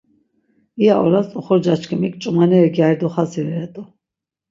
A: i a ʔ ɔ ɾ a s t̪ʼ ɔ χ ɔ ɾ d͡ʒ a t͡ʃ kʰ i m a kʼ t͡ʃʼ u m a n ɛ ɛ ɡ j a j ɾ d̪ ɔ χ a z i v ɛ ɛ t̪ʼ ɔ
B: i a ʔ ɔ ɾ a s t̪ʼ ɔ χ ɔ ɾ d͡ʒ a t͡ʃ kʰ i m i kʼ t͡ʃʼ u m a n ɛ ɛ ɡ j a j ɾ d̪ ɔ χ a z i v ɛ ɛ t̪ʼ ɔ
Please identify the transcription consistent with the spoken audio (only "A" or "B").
B